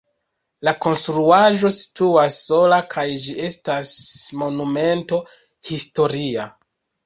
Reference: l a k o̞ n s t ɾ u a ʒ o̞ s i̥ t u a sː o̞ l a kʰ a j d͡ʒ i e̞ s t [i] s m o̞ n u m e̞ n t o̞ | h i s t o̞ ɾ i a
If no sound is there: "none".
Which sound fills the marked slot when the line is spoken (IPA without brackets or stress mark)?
a